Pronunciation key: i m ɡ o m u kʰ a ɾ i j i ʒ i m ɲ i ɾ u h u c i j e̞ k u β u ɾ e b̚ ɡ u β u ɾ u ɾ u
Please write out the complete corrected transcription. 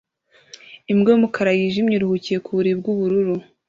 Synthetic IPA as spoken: i m ɡ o m u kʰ a ɾ a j i ʒ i m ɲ i ɾ u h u c i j e̞ k u β u ɾ i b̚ ɡ u β u ɾ u ɾ u